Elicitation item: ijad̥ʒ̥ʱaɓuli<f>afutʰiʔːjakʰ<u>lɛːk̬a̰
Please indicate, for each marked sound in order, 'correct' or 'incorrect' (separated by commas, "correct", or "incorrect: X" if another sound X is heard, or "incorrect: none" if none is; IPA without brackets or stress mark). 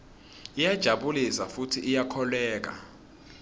incorrect: s, incorrect: ɔ